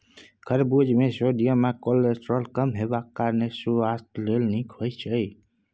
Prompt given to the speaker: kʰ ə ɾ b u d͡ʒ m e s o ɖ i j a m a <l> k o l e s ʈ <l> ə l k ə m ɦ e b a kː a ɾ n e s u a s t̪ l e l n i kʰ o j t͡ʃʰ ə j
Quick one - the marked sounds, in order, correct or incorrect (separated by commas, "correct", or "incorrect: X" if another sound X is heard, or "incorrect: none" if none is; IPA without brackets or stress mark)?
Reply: incorrect: none, incorrect: ɾ